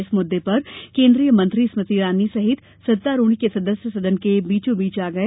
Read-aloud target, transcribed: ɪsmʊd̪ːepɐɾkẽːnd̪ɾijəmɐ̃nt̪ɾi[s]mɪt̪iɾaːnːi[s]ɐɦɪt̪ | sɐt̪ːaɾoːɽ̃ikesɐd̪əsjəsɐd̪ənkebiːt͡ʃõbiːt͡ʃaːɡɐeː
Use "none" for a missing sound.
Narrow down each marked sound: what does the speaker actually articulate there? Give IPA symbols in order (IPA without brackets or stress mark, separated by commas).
s, s